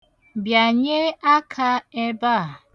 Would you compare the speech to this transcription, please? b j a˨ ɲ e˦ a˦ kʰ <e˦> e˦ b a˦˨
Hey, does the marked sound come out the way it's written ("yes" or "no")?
no